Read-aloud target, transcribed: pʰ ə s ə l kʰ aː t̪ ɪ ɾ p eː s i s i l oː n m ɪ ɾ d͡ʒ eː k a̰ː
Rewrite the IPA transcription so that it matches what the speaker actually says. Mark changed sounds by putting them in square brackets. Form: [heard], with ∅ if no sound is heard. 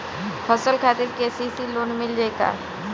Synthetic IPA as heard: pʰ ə s ə l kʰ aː t̪ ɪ ɾ [k] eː s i s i l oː n m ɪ [l] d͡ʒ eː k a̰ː